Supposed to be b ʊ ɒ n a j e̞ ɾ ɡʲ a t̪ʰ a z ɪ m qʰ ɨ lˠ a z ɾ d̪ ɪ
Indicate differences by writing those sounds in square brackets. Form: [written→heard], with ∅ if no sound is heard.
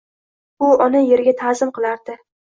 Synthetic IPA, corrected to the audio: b ʊ ɒ n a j e̞ ɾ ɡʲ a t̪ʰ a z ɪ m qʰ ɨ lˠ a [z→∅] ɾ d̪ ɪ